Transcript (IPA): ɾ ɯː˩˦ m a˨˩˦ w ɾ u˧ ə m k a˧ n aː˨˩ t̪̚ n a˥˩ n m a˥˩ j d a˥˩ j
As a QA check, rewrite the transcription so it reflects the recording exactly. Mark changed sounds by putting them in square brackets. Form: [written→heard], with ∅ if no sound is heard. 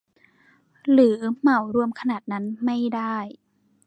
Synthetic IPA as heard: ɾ ɯː˩˦ m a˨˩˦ w ɾ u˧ ə m [k→kʰ] a˧ n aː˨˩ t̪̚ n [a˥˩→a˦˥] n m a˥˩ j d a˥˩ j